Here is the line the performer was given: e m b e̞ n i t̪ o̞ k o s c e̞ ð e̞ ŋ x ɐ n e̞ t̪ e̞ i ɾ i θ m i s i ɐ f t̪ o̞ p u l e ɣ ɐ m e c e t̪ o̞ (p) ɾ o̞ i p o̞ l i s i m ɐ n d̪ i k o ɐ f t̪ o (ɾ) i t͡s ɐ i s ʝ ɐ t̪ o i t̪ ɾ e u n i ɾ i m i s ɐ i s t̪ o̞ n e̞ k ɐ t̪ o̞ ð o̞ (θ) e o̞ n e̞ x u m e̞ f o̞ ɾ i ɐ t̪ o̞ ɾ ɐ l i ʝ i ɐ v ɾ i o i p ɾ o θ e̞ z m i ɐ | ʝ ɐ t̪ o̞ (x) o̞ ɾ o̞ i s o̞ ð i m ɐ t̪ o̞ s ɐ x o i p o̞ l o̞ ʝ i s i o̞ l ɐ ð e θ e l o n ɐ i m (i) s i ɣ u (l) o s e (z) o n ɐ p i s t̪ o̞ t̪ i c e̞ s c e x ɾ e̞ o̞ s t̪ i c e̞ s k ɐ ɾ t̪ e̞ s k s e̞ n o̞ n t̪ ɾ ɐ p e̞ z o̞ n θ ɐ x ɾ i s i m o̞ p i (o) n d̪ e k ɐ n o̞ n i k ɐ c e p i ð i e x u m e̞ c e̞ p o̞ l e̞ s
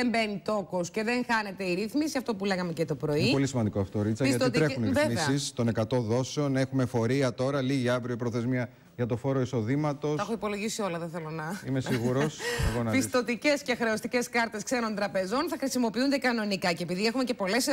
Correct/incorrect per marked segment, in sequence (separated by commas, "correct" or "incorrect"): correct, correct, incorrect, incorrect, incorrect, incorrect, incorrect, incorrect